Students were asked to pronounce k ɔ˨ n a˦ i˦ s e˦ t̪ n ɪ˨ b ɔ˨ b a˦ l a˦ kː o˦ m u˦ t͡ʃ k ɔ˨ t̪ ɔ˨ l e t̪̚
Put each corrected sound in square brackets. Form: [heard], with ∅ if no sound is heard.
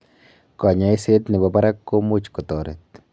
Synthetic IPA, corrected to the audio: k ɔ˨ [ɲ] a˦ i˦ s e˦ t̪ n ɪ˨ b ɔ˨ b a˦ [ɾ] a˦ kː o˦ m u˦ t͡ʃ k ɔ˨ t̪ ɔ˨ [ɾ] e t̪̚